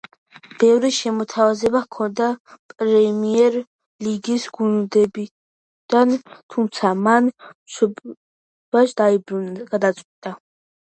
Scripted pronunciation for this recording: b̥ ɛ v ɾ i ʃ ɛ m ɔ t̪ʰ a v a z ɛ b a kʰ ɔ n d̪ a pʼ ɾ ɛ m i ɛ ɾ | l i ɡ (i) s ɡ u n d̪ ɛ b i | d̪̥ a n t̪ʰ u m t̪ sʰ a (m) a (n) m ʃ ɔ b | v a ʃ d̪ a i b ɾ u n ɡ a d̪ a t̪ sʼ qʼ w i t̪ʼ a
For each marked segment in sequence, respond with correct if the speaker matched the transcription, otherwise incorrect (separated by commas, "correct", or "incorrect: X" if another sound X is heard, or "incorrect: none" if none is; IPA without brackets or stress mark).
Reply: correct, correct, correct